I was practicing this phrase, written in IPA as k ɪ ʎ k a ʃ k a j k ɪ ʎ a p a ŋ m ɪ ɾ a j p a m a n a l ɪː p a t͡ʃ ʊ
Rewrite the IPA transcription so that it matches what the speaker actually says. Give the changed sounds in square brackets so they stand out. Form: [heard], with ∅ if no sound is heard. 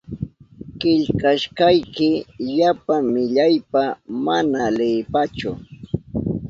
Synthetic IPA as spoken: k ɪ ʎ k a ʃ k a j k ɪ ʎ a p a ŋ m ɪ [ʎ] a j p a m a n a l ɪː p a t͡ʃ ʊ